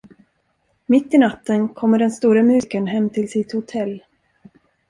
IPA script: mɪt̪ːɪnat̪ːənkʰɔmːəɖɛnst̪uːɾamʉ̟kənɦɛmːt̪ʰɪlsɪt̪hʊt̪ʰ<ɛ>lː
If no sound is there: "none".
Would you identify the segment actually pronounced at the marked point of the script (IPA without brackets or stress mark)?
ɛ